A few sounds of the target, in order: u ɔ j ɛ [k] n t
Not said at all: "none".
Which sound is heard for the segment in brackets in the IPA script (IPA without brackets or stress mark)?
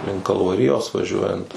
none